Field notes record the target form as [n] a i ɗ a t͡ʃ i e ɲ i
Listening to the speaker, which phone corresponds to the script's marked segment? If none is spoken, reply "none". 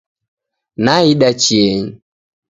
n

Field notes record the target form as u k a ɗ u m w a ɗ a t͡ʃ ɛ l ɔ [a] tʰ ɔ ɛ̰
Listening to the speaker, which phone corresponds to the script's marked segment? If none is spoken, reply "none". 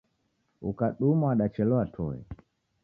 a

